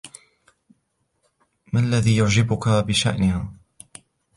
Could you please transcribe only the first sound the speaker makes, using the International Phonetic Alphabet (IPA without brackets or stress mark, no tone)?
m